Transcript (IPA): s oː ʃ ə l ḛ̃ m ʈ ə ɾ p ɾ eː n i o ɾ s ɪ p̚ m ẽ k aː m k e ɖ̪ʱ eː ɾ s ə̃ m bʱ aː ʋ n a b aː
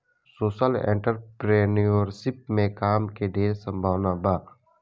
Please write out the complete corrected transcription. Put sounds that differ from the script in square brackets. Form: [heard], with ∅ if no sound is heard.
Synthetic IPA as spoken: s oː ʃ ə l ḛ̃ [ɳ] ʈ ə ɾ p ɾ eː n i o ɾ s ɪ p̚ m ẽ k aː m k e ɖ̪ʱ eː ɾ s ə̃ m bʱ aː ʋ n a b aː